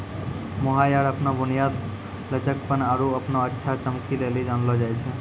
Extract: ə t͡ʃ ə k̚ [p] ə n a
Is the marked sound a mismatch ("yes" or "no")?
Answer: no